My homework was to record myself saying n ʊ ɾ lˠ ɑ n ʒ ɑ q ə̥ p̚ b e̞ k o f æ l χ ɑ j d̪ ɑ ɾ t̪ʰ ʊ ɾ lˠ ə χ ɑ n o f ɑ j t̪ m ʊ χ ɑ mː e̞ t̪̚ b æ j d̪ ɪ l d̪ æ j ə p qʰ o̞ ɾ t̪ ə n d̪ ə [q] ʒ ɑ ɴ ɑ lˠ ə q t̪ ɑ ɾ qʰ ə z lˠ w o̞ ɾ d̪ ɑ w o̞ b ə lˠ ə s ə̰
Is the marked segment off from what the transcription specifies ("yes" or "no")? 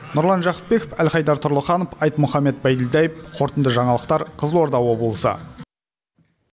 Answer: yes